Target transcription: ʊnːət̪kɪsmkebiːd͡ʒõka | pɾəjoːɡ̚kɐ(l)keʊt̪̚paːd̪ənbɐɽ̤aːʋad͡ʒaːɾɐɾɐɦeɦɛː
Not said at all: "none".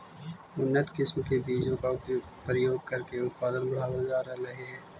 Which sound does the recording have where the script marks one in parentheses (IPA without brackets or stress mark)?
ɾ